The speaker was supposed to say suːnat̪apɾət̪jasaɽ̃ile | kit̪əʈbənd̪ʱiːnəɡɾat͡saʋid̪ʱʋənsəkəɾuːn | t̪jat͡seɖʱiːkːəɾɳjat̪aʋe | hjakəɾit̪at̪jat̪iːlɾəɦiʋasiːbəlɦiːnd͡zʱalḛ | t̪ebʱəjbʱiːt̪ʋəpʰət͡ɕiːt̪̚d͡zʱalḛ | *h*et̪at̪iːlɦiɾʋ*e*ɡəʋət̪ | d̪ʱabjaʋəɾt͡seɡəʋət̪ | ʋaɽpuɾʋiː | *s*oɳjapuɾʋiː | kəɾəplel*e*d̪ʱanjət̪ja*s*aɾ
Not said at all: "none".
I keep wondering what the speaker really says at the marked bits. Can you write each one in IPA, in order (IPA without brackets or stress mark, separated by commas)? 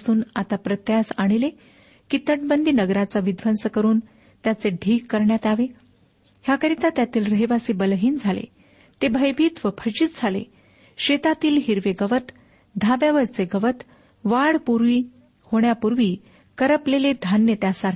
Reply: ɕ, e, h, e, s